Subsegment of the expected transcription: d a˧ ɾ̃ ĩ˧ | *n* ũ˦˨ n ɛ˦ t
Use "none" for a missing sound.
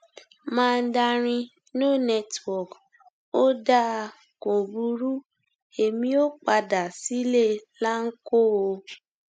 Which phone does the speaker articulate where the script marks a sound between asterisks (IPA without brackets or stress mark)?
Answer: n